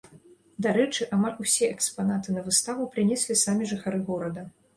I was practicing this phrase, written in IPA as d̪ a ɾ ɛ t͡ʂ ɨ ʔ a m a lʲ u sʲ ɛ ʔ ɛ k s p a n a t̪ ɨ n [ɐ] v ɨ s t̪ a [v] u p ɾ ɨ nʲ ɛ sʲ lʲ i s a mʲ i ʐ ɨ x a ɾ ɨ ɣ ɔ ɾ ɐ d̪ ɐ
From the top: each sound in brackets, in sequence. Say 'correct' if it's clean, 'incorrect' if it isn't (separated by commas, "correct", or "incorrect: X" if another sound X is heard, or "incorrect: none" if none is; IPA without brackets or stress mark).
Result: correct, correct